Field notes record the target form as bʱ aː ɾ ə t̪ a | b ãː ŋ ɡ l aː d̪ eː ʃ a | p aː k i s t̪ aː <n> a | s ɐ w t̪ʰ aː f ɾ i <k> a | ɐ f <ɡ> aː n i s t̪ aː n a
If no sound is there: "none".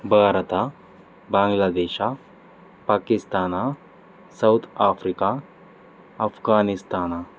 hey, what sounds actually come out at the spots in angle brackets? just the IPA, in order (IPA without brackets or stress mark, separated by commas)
n, k, ɡ